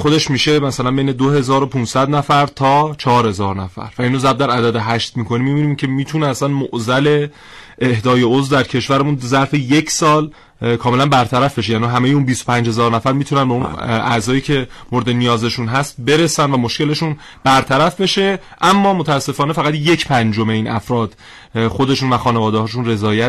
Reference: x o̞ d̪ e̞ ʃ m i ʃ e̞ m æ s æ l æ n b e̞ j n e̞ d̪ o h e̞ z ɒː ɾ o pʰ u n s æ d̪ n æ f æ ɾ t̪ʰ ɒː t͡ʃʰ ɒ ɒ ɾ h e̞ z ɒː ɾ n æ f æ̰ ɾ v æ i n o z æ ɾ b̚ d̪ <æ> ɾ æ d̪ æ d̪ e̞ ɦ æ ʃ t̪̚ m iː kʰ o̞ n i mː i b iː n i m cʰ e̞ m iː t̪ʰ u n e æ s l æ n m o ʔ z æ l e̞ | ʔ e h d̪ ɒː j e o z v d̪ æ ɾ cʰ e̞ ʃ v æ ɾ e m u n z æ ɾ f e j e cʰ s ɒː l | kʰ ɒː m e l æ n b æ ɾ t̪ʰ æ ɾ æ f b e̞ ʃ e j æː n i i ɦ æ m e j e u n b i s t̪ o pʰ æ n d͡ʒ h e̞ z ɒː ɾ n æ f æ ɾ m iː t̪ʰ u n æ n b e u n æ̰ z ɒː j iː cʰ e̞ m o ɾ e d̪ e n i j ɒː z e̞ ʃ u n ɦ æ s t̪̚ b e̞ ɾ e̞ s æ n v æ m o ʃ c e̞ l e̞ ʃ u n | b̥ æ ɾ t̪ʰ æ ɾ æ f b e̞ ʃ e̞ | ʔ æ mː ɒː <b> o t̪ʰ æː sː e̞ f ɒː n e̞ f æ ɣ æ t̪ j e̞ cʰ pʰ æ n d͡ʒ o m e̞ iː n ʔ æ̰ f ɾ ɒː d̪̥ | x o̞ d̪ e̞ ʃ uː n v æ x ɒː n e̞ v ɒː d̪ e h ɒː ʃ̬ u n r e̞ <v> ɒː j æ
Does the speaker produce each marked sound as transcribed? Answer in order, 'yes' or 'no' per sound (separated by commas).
yes, no, no